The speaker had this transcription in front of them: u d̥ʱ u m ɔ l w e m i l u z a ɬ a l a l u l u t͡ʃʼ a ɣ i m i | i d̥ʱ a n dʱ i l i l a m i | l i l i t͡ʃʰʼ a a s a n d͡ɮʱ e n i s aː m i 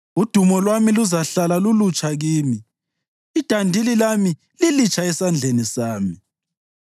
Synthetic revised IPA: u d̥ʱ u m ɔ l w a m i l u z a ɬ a l a l u l u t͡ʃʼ a ɣ iː m i | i d̥ʱ a n dʱ i l i l a m i | l i l i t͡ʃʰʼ a ɛ s a n d͡ɮʱ e n i s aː m i